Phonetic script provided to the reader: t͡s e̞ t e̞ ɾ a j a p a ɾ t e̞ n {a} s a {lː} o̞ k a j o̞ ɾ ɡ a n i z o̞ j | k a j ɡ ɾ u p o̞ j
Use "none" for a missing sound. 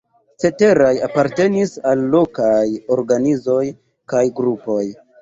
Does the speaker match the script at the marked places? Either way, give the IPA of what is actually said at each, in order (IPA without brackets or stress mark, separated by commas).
i, lː